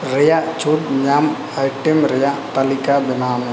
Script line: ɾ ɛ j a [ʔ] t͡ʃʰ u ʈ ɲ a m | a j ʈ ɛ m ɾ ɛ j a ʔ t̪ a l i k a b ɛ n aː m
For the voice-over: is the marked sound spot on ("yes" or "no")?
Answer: yes